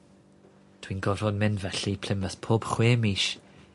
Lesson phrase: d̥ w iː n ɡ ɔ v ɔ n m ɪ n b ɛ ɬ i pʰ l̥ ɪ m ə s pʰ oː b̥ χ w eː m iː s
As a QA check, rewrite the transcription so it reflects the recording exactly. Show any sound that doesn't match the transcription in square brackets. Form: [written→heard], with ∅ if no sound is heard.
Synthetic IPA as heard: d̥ w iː n ɡ ɔ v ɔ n m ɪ n [b→v] ɛ ɬ i pʰ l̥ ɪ m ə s pʰ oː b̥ χ w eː m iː [s→ʃ]